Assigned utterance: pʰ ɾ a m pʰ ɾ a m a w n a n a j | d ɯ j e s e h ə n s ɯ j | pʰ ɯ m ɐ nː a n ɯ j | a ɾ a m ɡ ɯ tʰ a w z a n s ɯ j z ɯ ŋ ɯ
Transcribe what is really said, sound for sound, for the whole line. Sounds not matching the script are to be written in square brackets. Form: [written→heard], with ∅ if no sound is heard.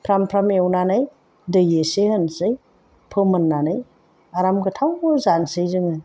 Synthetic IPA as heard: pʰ ɾ a m pʰ ɾ a m [a→e] w n a n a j | d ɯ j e s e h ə n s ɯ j | pʰ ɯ m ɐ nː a n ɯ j | a ɾ a m ɡ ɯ tʰ a w z a n s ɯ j z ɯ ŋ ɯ